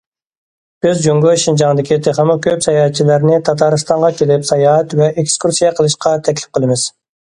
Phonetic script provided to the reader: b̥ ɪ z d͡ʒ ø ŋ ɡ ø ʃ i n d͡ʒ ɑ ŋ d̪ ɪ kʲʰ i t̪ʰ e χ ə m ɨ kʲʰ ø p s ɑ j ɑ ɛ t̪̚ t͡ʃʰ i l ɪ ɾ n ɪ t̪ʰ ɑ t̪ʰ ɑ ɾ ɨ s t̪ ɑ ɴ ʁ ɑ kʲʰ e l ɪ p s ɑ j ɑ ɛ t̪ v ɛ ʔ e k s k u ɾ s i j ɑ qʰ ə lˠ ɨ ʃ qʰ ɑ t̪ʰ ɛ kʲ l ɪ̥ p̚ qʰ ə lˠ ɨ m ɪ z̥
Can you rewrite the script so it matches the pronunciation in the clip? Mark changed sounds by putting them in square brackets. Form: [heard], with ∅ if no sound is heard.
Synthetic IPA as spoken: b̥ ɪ z d͡ʒ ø ŋ ɡ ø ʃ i n d͡ʒ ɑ ŋ d̪ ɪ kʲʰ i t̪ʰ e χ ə m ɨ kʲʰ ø p s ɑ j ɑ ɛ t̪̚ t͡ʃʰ i l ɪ ɾ n ɪ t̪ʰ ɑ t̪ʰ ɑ ɾ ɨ s t̪ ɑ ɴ ʁ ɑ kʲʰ e l ɪ p s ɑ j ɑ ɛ t̪ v ɛ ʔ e k s k u ɾ s i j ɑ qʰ ə lˠ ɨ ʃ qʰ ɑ t̪ʰ ɛ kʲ l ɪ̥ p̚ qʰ ə lˠ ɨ m ɪ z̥

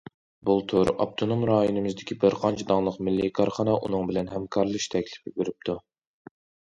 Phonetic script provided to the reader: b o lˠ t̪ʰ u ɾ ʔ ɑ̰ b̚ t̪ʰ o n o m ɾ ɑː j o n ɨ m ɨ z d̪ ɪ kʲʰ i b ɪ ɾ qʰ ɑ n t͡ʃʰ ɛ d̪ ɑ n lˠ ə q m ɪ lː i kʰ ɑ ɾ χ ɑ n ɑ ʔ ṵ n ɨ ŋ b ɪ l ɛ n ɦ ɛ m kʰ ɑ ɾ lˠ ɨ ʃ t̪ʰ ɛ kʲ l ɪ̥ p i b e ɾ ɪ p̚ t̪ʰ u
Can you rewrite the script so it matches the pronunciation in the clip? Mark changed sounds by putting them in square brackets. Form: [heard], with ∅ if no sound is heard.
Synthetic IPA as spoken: b [u] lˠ t̪ʰ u ɾ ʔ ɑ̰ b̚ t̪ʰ o n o m ɾ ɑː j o n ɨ m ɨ z d̪ ɪ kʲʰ i b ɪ ɾ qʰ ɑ n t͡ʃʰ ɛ d̪ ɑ [ŋ] lˠ ə q m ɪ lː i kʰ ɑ ɾ χ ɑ n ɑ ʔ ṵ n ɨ ŋ b ɪ l ɛ n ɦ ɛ m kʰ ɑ ɾ lˠ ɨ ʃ t̪ʰ ɛ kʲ l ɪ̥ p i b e ɾ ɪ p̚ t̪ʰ u

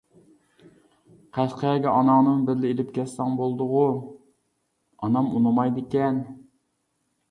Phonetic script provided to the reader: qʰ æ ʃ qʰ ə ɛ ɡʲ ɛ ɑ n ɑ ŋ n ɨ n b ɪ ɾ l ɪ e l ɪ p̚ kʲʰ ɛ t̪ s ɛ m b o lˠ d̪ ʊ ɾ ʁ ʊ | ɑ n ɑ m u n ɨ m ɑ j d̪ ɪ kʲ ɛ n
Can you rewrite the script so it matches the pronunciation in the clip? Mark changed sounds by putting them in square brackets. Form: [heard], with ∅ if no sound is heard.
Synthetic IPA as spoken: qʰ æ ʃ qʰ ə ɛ ɡʲ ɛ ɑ n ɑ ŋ n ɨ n b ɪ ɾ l ɪ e l ɪ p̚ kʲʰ ɛ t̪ s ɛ [ŋ] b o lˠ d̪ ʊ [∅] ʁ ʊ | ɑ n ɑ m u n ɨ m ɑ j d̪ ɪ kʲ ɛ n

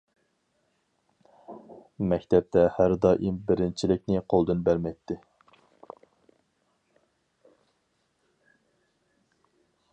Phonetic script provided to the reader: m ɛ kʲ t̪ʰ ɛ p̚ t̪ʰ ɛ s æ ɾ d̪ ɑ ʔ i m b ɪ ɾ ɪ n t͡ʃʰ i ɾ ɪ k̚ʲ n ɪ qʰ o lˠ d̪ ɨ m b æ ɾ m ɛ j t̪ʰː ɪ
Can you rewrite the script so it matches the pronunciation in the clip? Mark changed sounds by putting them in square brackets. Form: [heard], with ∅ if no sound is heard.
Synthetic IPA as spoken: m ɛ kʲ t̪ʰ ɛ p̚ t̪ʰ ɛ [h] æ ɾ d̪ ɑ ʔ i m b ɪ ɾ ɪ n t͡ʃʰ i [l] ɪ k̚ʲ n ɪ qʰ o lˠ d̪ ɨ [n] b æ ɾ m ɛ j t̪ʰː ɪ

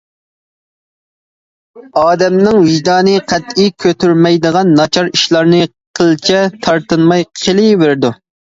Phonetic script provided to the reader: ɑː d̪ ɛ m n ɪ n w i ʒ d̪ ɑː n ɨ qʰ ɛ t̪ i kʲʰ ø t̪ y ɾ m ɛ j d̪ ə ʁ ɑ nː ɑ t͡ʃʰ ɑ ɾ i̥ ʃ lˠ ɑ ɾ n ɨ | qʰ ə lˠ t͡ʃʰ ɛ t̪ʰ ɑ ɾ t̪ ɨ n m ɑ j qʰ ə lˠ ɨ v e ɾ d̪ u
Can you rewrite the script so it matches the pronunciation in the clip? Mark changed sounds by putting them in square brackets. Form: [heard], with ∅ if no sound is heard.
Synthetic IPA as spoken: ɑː d̪ ɛ m n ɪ [ŋ] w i ʒ d̪ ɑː n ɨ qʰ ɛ t̪ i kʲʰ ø t̪ y ɾ m ɛ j d̪ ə ʁ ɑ nː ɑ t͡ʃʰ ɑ ɾ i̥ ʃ lˠ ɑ ɾ n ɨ | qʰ ə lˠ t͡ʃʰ ɛ t̪ʰ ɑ ɾ t̪ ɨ n m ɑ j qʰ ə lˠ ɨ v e ɾ d̪ u

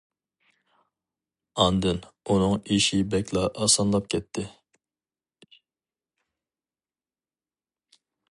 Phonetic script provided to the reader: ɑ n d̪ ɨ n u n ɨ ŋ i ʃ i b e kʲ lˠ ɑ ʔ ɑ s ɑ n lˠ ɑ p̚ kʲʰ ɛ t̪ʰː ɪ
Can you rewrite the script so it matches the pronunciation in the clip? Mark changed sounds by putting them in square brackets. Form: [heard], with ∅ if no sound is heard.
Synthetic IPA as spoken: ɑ n d̪ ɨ n u n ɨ ŋ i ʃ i b [ɛ] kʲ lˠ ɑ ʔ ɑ s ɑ n lˠ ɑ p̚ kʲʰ ɛ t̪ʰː ɪ

